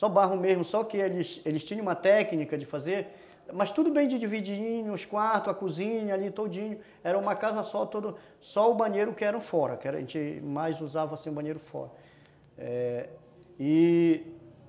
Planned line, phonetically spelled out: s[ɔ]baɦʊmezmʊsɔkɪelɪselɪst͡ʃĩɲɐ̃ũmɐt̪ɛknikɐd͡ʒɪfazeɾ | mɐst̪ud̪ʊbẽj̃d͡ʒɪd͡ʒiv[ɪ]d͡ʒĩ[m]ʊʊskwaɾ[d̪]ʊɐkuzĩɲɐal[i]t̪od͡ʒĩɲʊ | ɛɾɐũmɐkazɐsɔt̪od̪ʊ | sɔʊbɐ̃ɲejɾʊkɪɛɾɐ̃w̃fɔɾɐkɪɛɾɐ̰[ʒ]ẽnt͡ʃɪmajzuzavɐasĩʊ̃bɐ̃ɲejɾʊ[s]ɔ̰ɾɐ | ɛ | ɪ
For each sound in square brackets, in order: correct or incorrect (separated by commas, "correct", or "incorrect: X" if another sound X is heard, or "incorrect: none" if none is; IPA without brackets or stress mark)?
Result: correct, incorrect: i, incorrect: ɲ, incorrect: t̪, correct, correct, incorrect: f